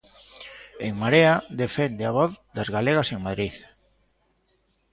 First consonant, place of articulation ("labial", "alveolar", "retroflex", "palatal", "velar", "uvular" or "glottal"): velar